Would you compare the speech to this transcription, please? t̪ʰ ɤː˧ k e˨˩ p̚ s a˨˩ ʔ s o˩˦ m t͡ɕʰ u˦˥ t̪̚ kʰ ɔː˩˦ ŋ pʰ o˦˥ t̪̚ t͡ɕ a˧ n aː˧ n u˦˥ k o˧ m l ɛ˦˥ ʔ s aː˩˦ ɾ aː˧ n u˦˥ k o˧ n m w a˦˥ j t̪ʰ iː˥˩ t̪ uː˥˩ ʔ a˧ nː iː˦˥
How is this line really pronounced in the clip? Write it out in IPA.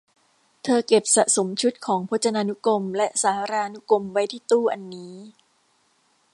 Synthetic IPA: t̪ʰ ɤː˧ k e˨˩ p̚ s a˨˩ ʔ s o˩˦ m t͡ɕʰ u˦˥ t̪̚ kʰ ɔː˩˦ ŋ pʰ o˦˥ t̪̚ t͡ɕ a˧ n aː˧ n u˦˥ k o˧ m l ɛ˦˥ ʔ s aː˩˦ ɾ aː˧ n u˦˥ k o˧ m w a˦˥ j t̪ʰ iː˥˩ t̪ uː˥˩ ʔ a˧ nː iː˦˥